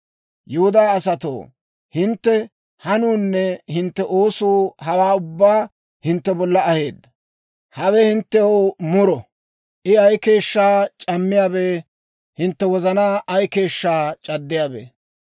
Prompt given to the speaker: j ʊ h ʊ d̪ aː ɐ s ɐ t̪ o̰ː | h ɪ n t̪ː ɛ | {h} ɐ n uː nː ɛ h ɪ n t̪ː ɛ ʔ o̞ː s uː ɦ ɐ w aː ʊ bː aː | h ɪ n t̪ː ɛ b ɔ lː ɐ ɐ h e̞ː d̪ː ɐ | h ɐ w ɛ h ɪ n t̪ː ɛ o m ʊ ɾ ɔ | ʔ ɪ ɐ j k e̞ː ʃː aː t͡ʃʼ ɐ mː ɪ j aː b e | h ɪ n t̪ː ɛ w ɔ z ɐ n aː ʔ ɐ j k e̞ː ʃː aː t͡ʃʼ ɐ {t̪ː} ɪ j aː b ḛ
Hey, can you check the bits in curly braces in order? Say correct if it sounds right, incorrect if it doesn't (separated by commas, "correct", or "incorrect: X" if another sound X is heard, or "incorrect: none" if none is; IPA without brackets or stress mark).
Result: correct, incorrect: d̪ː